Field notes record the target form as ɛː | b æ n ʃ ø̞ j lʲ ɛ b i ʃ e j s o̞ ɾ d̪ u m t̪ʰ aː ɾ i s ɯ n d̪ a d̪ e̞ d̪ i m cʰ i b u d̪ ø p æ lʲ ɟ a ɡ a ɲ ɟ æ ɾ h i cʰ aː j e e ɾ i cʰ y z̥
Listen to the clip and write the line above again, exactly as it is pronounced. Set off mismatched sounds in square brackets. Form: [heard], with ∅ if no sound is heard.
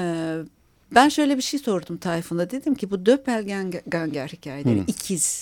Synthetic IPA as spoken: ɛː | b æ n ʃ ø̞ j lʲ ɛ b i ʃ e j s o̞ ɾ d̪ u m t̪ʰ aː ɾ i [f] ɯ n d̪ a d̪ e̞ d̪ i m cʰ i b u d̪ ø p æ lʲ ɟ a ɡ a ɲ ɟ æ ɾ h i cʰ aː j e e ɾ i cʰ [i] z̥